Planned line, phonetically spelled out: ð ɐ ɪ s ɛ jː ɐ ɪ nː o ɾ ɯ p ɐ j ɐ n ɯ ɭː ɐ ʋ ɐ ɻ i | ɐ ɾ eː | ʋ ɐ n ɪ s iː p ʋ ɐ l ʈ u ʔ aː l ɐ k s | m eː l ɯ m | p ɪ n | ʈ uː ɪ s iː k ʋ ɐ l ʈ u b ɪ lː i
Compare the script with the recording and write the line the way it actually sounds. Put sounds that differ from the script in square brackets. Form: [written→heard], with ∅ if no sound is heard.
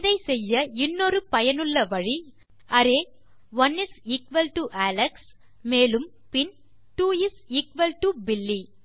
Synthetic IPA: ð ɐ ɪ s ɛ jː ɐ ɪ nː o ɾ ɯ p ɐ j ɐ n ɯ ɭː ɐ ʋ ɐ ɻ i | ɐ ɾ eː | ʋ ɐ n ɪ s iː [p→k] ʋ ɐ l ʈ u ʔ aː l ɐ k s | m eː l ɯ m | p ɪ n | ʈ uː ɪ s iː k ʋ ɐ l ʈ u b ɪ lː i